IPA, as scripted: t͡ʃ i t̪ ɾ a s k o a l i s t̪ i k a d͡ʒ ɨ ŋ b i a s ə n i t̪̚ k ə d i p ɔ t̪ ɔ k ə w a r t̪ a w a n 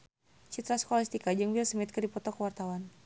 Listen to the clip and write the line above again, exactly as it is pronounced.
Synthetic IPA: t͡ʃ i t̪ ɾ a s k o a l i s t̪ i k a d͡ʒ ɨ ŋ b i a s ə m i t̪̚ k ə d i p ɔ t̪ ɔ k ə w a r t̪ a w a n